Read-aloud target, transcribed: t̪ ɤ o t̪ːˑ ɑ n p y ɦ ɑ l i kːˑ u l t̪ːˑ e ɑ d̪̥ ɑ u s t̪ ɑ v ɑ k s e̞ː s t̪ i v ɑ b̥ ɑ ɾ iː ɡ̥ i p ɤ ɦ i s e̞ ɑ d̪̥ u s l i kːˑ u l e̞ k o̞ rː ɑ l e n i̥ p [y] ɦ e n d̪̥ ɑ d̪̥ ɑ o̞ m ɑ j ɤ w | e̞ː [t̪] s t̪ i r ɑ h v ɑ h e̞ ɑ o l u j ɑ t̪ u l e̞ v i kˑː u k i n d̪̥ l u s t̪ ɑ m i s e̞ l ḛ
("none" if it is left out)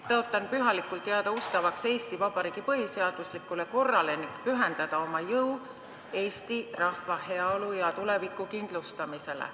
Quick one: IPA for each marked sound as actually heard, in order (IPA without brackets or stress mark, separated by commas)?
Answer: y, none